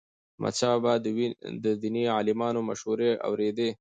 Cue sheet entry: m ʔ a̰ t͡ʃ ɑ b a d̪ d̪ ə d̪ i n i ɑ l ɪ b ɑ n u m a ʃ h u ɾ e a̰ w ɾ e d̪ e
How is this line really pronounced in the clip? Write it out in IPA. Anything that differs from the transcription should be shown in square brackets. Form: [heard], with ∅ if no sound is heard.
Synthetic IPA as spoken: m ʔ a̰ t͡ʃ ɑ b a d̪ d̪ ə d̪ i n i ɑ l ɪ [m] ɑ n [o] m a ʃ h u ɾ e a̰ w ɾ e d̪ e